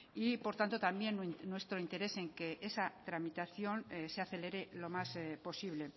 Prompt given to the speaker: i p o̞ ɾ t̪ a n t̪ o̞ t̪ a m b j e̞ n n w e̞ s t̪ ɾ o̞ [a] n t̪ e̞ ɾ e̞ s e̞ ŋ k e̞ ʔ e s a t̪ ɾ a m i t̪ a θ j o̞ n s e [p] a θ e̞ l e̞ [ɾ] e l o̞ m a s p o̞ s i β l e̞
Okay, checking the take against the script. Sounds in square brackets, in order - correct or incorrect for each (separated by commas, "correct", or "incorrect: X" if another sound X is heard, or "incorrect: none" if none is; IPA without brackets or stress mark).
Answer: incorrect: i, incorrect: none, correct